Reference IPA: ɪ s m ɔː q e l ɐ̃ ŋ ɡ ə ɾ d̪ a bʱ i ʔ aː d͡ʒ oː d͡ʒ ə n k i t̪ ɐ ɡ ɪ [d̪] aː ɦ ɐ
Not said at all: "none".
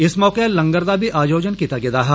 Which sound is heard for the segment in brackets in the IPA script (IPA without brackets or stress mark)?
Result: d̪